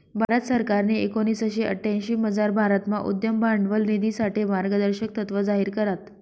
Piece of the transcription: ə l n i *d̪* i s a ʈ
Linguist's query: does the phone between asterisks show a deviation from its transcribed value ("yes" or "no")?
no